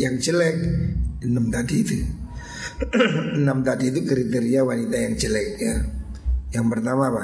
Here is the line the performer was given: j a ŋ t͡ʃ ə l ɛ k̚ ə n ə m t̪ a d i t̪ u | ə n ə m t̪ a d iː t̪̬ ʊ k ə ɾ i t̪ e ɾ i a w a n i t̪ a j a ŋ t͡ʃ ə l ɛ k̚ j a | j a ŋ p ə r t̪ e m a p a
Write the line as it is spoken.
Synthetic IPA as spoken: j a ŋ t͡ʃ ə l ɛ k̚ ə n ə m t̪ a d i t̪ u | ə n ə m t̪ a d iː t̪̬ u k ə ɾ i t̪ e ɾ i a w a n i t̪ a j a ŋ t͡ʃ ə l ɛ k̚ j a | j a ŋ p ə r t̪ a m a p a